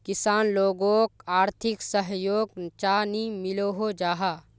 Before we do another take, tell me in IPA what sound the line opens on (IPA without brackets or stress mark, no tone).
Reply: k